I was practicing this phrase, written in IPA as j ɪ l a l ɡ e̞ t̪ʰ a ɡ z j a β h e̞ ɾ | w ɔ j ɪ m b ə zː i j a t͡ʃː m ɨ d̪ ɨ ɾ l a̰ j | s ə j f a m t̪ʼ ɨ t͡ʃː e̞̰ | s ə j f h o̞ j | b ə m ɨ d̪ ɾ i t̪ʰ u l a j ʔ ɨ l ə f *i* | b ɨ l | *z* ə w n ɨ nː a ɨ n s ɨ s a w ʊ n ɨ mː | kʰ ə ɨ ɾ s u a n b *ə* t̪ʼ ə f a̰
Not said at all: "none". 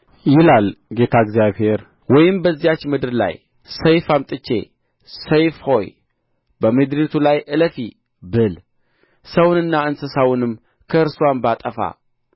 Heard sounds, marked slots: i, s, a

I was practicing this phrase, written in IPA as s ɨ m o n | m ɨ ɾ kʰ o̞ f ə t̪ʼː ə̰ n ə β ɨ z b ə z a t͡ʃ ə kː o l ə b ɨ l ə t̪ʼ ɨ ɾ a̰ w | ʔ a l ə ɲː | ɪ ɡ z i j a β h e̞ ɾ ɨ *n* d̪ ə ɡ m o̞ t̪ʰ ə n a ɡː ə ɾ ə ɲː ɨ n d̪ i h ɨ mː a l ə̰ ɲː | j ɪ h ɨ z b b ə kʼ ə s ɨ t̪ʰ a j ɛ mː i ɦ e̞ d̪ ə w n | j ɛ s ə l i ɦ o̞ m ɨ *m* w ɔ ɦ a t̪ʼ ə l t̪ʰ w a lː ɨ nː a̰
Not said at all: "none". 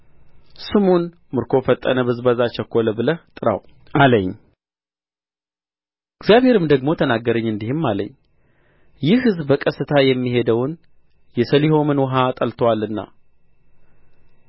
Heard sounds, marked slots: m, n

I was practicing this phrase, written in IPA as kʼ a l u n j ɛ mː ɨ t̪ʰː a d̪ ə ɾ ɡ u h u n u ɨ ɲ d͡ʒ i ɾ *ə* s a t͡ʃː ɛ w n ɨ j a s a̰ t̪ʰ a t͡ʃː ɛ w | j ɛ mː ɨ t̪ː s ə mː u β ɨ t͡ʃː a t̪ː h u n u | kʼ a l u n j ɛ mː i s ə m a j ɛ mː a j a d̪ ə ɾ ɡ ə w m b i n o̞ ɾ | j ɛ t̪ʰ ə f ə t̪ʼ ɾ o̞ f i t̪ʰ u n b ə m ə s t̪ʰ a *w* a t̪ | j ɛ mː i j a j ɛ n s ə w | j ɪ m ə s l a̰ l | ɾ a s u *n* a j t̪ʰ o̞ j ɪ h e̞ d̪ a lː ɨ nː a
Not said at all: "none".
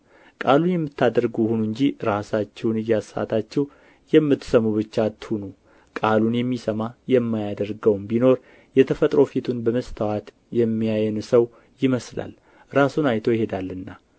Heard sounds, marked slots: a, w, n

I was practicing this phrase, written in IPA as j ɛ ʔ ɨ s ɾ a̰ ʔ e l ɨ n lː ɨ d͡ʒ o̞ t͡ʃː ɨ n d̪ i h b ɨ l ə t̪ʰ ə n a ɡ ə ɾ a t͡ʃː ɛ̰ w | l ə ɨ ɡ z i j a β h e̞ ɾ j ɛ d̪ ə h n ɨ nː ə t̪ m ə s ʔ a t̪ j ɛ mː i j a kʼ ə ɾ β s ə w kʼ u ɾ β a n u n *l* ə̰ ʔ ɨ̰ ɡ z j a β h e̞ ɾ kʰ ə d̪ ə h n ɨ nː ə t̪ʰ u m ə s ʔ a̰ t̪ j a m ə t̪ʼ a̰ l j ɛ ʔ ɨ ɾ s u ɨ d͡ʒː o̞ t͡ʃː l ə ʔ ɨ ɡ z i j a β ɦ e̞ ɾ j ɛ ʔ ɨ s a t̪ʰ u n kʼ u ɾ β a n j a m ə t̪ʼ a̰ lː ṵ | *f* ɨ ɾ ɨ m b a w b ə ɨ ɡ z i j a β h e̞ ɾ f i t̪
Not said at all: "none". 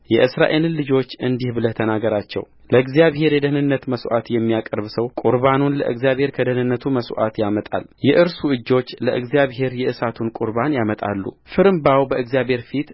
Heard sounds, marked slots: l, f

